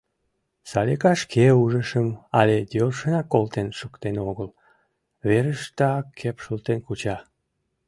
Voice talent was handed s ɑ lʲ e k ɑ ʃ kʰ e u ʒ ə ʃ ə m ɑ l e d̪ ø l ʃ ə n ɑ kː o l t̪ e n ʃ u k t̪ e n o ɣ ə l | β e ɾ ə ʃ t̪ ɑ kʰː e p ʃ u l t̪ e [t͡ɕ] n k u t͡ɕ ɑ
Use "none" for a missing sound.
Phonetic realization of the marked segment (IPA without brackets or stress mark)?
none